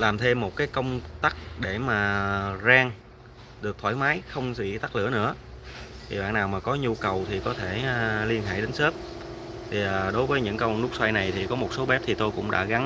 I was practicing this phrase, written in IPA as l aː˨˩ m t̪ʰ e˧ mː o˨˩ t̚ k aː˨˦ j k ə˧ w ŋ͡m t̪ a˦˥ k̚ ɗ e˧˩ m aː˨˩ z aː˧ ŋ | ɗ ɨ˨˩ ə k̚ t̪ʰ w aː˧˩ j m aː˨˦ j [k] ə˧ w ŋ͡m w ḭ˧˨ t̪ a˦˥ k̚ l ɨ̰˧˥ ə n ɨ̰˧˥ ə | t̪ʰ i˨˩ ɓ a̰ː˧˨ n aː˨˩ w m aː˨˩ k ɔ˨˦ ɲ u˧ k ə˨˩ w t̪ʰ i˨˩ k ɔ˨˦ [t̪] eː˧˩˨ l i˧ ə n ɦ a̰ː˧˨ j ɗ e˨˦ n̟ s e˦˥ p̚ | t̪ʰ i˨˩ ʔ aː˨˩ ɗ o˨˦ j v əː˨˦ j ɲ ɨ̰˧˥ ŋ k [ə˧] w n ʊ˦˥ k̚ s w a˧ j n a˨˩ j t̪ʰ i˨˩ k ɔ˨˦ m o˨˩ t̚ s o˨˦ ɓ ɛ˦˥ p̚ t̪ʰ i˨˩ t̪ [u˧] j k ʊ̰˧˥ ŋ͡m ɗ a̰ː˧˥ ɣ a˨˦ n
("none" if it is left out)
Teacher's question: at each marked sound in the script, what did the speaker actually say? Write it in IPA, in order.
x, t̪ʰ, ə˧, o˧

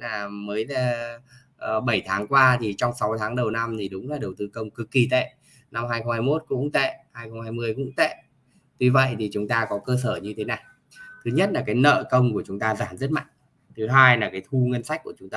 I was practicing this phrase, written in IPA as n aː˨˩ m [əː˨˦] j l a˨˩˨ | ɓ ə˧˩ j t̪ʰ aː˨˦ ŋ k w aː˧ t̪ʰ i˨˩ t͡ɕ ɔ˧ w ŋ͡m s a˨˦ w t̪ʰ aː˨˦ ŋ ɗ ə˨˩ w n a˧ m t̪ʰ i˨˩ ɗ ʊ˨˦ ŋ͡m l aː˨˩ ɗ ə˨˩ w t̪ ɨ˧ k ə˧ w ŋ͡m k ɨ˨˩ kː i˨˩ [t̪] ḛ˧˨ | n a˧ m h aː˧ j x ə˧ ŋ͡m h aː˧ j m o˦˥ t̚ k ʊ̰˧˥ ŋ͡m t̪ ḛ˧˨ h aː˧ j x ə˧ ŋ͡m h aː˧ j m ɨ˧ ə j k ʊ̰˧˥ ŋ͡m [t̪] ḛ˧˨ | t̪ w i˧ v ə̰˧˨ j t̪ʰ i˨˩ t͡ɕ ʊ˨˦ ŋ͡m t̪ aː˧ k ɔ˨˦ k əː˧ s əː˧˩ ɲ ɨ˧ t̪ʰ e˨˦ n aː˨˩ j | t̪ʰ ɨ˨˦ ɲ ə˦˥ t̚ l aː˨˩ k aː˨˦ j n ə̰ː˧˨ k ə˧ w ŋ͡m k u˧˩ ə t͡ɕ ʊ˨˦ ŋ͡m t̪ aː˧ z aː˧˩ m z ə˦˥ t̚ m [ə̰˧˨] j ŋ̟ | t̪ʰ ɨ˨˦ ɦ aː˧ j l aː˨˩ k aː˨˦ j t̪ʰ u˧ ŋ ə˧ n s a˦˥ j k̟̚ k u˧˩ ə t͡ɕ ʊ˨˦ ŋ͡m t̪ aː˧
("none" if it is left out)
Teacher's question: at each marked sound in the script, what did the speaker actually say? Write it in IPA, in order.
əː˨˦, t̪, t̪, a̰˧˨

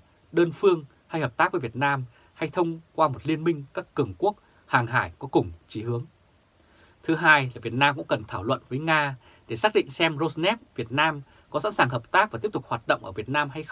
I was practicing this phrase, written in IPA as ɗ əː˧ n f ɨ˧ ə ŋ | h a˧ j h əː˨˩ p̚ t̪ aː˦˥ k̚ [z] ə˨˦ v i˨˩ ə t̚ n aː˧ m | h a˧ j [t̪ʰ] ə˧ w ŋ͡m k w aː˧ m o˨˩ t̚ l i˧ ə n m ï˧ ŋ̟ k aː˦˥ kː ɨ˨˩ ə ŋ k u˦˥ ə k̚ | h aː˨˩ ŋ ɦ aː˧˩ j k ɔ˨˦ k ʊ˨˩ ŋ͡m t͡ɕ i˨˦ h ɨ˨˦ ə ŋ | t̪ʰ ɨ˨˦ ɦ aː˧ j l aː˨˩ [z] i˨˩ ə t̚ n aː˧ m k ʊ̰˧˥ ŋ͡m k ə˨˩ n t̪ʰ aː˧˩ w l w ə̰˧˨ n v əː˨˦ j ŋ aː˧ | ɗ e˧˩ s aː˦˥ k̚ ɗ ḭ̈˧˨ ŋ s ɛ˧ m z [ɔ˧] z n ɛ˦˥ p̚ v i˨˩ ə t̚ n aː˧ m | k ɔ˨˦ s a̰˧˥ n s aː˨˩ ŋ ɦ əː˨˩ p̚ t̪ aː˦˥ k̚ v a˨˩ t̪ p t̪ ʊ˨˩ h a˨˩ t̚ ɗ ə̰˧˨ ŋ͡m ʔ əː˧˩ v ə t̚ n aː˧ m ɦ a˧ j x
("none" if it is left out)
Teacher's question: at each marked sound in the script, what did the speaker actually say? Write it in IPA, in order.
v, t̪ʰ, v, o˧

